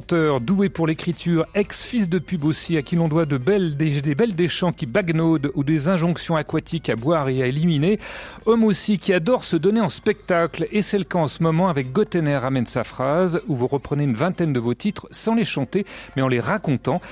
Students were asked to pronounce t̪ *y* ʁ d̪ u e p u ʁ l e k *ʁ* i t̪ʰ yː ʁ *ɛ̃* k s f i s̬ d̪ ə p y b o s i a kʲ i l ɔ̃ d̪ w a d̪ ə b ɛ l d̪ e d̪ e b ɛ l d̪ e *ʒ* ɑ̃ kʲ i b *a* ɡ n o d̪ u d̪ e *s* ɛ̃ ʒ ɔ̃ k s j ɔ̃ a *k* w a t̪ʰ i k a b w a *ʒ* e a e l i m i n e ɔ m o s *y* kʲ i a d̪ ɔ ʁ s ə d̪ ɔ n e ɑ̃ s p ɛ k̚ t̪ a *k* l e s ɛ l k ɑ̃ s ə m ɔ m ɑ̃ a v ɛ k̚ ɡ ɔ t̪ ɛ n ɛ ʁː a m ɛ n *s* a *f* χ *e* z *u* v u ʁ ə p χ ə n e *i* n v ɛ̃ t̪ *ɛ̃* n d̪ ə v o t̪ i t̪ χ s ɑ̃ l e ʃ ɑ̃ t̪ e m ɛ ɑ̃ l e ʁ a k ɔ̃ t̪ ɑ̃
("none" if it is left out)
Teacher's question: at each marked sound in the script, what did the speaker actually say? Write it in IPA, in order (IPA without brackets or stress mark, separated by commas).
œ, χ, ɛ, ʃ, a, z, k, ʁ, i, k, s, f, a, u, y, ɛ